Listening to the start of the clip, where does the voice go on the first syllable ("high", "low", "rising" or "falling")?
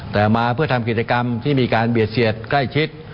low